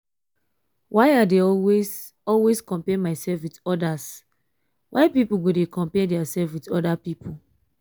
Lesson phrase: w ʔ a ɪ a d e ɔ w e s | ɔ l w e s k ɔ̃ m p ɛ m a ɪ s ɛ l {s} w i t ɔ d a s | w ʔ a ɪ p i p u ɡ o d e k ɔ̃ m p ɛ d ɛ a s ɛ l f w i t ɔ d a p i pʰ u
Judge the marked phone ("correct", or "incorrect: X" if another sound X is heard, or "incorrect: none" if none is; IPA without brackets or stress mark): incorrect: f